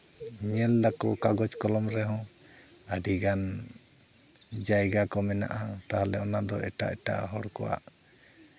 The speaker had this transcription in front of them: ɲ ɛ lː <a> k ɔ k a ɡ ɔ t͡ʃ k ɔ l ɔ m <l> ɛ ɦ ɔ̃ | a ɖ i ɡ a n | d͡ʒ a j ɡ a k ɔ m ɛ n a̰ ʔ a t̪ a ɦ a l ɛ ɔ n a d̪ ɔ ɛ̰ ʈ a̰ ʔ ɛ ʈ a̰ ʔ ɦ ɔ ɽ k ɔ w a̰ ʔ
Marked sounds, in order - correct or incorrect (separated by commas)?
correct, incorrect